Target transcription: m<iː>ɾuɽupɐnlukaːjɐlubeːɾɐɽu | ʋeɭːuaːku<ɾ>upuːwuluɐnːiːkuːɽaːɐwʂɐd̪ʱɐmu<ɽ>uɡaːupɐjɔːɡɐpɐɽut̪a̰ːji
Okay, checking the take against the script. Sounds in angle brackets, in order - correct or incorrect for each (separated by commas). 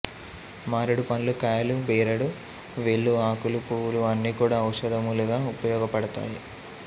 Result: incorrect, incorrect, incorrect